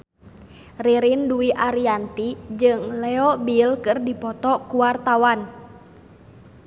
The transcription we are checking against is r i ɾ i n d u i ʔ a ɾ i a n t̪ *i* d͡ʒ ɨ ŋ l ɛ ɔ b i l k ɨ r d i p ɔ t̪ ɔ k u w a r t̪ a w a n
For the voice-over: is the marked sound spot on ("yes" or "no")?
yes